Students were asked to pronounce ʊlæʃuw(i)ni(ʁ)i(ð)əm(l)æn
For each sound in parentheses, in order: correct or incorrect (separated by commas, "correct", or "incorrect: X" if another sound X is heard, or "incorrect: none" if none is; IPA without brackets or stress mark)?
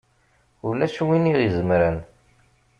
correct, correct, incorrect: z, incorrect: ɾ